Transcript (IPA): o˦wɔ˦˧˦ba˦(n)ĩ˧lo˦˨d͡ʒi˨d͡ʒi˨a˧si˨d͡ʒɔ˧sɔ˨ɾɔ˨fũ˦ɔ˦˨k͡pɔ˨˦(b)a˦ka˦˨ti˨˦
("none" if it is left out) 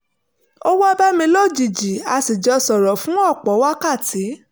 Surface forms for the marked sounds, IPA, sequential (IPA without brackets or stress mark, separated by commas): m, w